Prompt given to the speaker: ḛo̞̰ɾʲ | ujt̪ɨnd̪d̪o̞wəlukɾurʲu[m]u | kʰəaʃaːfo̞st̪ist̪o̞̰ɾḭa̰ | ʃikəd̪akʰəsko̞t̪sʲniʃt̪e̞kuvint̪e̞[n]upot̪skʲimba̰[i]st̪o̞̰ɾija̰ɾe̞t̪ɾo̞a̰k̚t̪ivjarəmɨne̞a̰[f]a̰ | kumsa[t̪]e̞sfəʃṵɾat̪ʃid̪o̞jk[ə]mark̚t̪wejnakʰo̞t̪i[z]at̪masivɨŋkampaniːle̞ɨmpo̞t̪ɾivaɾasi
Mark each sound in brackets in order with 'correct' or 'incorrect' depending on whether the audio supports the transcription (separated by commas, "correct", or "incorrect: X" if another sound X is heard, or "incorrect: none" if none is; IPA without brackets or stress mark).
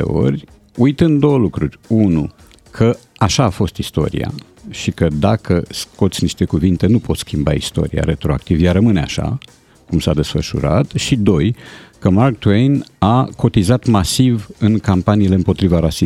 incorrect: n, correct, correct, incorrect: ʃ, incorrect: d̪, correct, correct